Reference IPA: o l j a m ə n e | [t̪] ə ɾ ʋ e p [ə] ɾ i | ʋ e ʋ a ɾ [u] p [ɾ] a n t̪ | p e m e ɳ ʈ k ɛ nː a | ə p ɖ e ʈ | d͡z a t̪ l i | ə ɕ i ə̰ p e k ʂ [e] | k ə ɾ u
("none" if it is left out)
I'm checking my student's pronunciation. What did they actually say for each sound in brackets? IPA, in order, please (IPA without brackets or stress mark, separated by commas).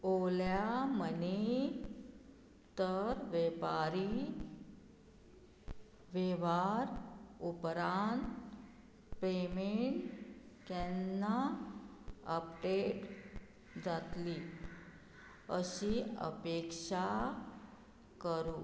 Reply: t̪, a, u, ɾ, a